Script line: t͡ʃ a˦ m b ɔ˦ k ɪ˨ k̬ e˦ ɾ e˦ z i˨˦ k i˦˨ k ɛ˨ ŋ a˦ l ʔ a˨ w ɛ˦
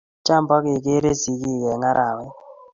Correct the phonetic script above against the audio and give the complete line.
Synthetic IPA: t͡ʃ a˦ m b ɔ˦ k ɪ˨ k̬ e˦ ɾ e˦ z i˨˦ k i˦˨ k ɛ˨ ŋ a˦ ɾ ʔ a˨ w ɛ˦